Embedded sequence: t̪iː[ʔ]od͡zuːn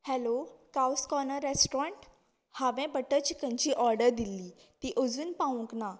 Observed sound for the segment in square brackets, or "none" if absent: ʔ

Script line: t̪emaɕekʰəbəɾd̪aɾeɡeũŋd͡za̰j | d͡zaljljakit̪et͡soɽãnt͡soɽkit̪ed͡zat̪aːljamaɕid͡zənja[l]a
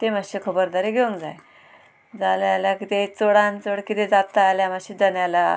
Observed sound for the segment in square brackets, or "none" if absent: l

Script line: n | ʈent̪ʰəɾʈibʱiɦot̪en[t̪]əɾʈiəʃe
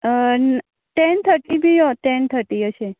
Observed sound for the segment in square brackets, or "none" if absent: t̪ʰ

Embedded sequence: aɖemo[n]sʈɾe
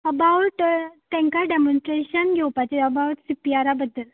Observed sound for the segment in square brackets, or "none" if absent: n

